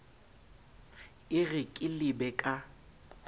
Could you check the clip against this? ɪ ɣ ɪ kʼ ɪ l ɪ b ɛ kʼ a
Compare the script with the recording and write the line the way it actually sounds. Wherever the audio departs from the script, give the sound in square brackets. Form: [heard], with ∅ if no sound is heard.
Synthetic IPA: ɪ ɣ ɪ kʼ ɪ l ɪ b ɛ kʼ a